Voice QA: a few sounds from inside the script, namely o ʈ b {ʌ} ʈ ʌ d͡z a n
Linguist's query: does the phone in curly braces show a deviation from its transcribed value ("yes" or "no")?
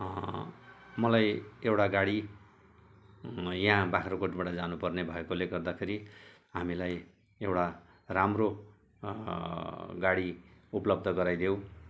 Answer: yes